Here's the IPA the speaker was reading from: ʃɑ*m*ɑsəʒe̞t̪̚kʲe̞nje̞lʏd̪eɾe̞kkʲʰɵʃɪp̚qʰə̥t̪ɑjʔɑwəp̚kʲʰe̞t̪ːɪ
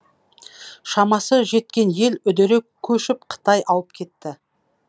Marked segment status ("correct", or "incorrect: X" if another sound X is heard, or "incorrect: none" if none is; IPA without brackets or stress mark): correct